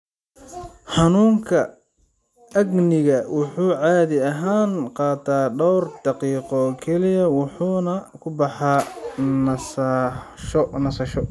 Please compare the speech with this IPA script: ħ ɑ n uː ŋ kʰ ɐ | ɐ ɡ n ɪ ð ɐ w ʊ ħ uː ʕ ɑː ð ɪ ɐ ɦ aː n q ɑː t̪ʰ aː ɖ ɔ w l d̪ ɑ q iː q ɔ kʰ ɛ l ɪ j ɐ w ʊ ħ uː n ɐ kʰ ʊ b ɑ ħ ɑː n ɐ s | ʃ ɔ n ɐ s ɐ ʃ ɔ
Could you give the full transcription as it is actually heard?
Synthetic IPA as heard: ħ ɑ n uː ŋ kʰ ɐ | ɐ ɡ n ɪ ɣ ɐ w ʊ ħ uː ʕ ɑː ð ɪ ɐ ɦ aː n q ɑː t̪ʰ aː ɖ ɔ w r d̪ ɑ q iː q ɔ kʰ ɛ l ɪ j ɐ w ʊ ħ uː n ɐ kʰ ʊ b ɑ ħ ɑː n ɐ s | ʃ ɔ n ɐ s ɐ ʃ ɔ